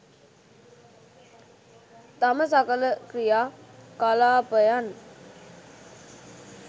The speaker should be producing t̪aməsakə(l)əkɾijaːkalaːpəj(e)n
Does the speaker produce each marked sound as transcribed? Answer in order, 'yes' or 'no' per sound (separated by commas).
yes, no